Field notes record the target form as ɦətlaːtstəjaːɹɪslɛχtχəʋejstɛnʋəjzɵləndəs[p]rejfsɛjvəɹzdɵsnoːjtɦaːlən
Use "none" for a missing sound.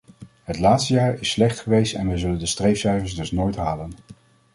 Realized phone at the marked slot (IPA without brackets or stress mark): t